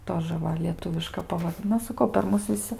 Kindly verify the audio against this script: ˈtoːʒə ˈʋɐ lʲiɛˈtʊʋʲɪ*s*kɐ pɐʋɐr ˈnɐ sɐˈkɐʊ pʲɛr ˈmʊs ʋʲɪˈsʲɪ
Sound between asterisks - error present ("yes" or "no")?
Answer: yes